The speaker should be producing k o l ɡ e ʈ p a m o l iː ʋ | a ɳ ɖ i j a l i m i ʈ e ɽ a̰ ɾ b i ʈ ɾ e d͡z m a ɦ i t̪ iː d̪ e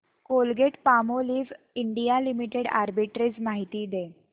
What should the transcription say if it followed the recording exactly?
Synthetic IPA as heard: k o l ɡ e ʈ p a m o l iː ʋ | i ɳ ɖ i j a l i m i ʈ e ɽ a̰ ɾ b i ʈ ɾ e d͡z m a ɦ i t̪ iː d̪ e